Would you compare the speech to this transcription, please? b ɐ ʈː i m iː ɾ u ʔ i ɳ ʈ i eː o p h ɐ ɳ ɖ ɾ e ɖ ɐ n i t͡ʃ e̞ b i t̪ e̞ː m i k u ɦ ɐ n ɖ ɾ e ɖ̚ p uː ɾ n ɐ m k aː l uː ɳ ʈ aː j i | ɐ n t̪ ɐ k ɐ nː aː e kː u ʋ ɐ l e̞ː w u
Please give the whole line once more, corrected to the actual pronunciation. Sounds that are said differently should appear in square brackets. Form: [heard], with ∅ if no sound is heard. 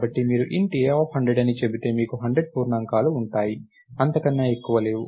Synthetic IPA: b ɐ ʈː i m iː ɾ u ʔ i ɳ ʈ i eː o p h ɐ ɳ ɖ ɾ e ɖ ɐ n i t͡ʃ e̞ b i t̪ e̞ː m [iː] k u ɦ ɐ [ɳ] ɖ ɾ e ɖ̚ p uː ɾ n ɐ [ŋ] k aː l uː ɳ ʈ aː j i | ɐ n t̪ ɐ k ɐ nː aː e kː u ʋ ɐ l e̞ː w u